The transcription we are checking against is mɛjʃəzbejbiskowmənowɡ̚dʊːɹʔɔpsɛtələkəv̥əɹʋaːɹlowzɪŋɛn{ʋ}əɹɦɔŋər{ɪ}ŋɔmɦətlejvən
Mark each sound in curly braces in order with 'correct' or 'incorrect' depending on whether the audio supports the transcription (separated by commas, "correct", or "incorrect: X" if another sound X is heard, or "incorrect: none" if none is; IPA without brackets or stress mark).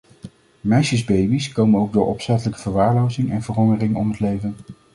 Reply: incorrect: v, correct